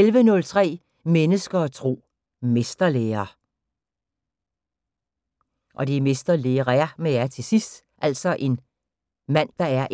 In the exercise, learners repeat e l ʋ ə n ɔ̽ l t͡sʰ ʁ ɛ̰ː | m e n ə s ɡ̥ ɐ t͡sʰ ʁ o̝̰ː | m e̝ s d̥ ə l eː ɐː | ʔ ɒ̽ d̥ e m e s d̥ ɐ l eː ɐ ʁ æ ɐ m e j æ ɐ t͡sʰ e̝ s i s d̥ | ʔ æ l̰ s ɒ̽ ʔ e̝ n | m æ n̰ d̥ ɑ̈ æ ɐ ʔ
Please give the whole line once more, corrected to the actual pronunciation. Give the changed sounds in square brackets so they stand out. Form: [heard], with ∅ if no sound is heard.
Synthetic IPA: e l ʋ ə n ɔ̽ l t͡sʰ ʁ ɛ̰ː | m e n ə s ɡ̥ ɐ t͡sʰ ʁ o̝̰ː | m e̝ s d̥ [ɐ] l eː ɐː | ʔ ɒ̽ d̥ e m e s d̥ ɐ l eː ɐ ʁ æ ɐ m e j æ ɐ t͡sʰ e̝ s i s d̥ | ʔ æ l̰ s ɒ̽ ʔ e̝ n | m æ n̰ d̥ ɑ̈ æ ɐ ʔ